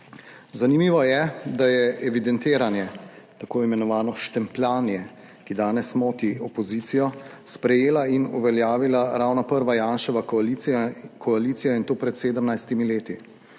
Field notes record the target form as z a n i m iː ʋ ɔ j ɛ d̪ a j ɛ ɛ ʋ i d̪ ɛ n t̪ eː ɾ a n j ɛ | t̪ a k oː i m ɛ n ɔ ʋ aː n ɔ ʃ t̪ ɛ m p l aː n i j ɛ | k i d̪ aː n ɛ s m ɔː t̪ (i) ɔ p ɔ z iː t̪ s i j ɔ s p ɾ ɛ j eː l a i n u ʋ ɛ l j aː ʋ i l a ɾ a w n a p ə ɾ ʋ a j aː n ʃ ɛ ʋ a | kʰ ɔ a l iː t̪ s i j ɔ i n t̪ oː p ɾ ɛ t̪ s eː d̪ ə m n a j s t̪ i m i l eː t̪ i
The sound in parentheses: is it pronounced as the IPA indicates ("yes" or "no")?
yes